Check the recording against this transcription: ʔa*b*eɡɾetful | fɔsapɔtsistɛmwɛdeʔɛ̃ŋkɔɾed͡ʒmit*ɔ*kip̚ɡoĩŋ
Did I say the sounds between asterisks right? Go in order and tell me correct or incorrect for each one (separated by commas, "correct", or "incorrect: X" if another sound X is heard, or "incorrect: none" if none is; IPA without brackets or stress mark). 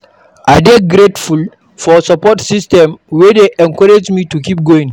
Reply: incorrect: d, incorrect: u